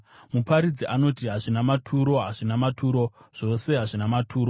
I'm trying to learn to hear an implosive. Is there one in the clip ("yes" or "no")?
no